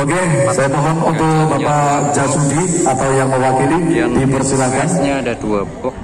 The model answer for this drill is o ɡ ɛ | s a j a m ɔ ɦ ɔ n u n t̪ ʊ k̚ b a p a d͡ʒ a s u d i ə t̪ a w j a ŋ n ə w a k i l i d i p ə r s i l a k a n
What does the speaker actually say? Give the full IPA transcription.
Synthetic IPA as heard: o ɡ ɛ | s a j a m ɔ ɦ ɔ n u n t̪ ʊ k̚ b a p a d͡ʒ a s u d i a t̪ a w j a ŋ m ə w a k i l i d i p ə r s i l a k a n